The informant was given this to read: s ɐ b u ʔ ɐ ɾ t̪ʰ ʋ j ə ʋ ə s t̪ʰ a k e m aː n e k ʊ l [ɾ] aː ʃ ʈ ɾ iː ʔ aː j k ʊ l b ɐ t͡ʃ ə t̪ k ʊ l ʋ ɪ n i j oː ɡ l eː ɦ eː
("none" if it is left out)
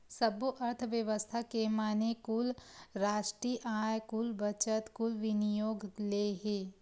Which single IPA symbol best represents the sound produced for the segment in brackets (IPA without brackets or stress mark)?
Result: ɾ